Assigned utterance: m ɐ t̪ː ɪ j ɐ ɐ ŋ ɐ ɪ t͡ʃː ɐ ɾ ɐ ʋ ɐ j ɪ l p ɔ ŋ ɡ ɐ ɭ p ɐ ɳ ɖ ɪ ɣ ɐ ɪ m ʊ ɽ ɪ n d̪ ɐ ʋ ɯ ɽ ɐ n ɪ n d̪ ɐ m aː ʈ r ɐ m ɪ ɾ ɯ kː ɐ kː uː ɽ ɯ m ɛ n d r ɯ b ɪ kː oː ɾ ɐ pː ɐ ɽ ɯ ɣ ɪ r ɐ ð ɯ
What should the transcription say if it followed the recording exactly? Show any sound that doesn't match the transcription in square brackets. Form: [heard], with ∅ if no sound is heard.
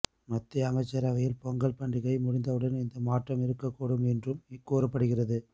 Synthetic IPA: m ɐ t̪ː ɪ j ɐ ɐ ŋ ɐ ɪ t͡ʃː ɐ ɾ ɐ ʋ ɐ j ɪ l p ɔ ŋ ɡ ɐ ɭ p ɐ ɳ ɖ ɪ ɣ ɐ ɪ m ʊ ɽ ɪ n d̪ ɐ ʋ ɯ ɽ ɐ n ɪ n d̪ ɐ m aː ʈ r ɐ m ɪ ɾ ɯ kː ɐ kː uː ɽ ɯ m ɛ n d r ɯ [m] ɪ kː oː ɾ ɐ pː ɐ ɽ ɯ ɣ ɪ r ɐ ð ɯ